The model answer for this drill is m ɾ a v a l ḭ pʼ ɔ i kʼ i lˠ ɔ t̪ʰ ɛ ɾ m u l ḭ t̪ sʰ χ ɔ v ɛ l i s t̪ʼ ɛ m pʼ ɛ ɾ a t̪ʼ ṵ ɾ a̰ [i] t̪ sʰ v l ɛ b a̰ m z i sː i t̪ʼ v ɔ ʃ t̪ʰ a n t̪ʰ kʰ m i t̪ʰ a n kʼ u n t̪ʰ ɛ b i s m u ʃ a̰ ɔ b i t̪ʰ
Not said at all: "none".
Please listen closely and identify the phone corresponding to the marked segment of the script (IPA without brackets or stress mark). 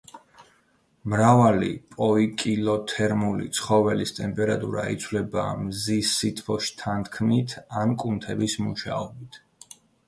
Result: i